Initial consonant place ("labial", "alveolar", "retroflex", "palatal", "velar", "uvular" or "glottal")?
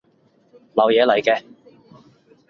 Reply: alveolar